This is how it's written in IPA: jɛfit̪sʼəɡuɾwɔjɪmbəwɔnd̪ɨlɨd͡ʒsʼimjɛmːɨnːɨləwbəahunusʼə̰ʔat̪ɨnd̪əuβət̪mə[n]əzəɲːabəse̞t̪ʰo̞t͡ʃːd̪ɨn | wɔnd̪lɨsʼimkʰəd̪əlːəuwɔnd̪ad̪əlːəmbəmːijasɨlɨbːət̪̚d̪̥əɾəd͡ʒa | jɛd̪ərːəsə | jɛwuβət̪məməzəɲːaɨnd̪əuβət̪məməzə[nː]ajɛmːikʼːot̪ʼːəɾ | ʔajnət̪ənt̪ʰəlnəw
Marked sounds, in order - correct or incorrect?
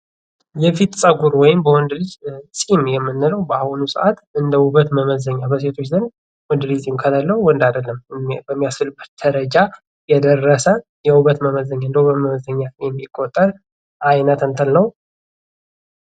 incorrect, incorrect

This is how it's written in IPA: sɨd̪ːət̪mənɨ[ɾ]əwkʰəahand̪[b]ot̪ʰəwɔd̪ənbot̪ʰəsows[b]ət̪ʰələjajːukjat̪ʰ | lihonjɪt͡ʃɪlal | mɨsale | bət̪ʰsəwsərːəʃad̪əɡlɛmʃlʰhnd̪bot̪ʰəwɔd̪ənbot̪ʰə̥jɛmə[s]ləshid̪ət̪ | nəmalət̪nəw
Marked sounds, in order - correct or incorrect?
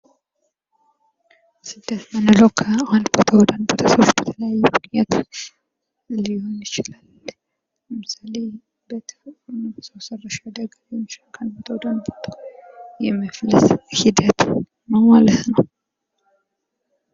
incorrect, correct, correct, incorrect

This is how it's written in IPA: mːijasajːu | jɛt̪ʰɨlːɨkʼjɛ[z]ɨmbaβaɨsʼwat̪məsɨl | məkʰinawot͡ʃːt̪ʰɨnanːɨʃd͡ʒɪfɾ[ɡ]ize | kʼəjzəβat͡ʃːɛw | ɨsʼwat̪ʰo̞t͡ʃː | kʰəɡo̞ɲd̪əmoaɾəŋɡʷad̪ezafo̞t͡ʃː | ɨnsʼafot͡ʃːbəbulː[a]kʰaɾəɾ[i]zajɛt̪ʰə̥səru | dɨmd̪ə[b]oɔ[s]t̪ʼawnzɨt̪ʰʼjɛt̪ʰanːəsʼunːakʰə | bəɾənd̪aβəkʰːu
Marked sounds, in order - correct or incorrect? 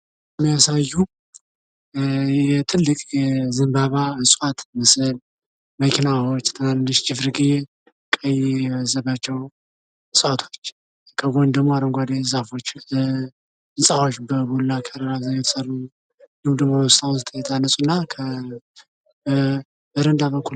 correct, correct, correct, incorrect, incorrect, correct

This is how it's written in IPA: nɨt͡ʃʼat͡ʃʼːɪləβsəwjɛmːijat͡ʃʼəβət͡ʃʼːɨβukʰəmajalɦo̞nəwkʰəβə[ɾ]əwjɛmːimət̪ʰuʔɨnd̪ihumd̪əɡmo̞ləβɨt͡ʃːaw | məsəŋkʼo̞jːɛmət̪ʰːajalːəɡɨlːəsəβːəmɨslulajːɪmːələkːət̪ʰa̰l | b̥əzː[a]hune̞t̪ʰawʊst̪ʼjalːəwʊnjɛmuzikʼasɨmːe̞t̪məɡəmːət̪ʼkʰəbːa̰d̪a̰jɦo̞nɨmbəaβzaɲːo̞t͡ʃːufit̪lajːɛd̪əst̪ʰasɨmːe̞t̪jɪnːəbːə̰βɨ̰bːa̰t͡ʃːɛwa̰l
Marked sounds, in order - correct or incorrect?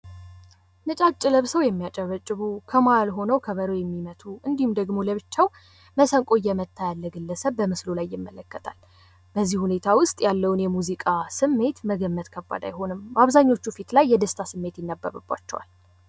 correct, incorrect

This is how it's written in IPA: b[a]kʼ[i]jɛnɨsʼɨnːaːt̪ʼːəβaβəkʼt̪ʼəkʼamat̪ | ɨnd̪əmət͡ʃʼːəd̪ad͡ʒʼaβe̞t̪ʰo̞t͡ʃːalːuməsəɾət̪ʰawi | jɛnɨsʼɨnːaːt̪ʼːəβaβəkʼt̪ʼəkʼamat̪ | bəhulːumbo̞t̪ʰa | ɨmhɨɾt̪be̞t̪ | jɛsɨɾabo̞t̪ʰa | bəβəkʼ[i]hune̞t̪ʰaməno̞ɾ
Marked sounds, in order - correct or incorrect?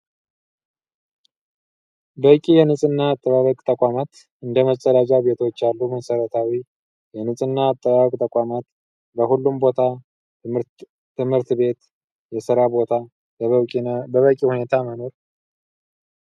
incorrect, correct, correct

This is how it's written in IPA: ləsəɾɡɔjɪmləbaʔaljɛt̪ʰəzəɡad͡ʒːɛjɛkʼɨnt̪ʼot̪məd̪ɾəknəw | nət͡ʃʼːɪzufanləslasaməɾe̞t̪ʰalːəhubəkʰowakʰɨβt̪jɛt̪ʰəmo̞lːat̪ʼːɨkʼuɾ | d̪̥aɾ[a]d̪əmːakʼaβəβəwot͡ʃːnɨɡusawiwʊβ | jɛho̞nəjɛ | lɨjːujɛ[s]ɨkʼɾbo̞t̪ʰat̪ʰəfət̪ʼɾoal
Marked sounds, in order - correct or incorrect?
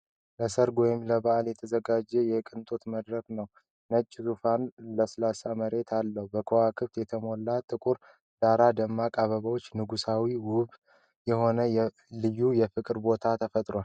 correct, incorrect

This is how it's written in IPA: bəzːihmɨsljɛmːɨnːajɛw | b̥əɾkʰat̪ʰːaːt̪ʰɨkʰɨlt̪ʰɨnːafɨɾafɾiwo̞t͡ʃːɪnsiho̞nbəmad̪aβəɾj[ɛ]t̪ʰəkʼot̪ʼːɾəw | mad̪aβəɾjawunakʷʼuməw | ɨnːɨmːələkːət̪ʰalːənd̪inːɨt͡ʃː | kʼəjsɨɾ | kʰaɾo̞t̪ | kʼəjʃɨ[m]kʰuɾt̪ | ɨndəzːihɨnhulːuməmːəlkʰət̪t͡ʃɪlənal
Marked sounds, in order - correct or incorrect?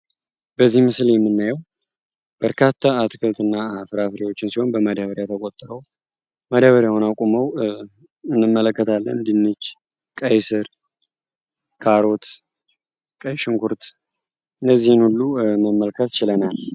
incorrect, incorrect

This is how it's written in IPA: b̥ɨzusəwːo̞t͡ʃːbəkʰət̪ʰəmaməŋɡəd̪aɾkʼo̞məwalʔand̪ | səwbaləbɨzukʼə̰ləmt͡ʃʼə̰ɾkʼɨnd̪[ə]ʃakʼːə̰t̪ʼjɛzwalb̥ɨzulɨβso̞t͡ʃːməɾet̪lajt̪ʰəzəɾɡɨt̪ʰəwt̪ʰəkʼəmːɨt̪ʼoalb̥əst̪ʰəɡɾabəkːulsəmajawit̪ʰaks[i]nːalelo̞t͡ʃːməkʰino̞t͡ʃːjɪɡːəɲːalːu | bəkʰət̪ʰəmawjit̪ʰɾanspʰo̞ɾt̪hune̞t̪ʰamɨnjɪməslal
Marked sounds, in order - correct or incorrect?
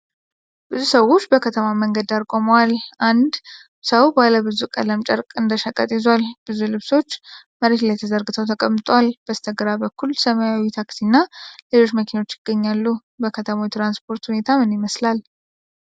correct, correct

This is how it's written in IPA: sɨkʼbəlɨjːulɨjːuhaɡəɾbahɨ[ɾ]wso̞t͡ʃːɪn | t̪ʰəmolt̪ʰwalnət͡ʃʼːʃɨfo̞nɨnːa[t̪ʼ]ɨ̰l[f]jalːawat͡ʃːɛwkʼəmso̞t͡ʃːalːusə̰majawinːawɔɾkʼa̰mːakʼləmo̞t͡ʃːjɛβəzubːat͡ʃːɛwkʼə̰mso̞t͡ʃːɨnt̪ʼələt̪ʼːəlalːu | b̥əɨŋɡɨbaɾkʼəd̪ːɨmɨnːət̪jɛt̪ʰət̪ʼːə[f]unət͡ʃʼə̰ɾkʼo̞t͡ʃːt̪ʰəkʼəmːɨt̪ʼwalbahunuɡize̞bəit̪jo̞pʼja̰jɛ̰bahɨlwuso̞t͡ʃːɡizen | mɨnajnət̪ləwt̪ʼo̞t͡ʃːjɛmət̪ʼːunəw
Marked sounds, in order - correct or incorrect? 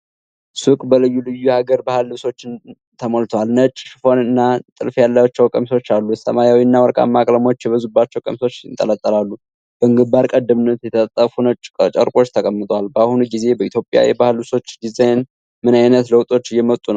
incorrect, correct, correct, correct

